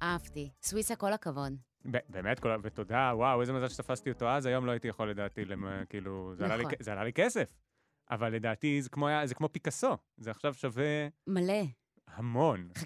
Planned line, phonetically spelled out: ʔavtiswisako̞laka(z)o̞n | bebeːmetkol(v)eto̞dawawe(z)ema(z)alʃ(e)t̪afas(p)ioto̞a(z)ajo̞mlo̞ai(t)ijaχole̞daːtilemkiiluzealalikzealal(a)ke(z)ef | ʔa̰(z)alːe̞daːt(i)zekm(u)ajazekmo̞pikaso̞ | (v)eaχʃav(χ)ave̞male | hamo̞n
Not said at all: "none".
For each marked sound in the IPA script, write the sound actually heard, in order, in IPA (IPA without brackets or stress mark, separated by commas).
v, v, z, z, e, t, z, t, i, s, v, i, o, z, ʃ